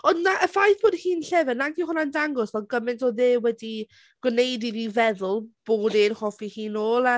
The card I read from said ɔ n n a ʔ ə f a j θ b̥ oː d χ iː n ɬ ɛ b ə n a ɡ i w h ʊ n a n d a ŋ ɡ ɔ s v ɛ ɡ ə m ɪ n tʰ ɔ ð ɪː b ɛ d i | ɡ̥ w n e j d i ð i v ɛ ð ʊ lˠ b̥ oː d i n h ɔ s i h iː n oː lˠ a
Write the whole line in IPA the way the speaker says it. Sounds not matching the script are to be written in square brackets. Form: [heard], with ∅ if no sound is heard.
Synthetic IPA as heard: ɔ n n a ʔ ə f a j θ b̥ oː d [h] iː n ɬ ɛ [v] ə n a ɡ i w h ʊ n a n d a ŋ ɡ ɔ s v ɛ ɡ ə m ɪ n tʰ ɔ ð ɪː [w] ɛ d i | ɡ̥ w n e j d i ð i v ɛ ð ʊ lˠ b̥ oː d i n h ɔ [f] i h iː n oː lˠ a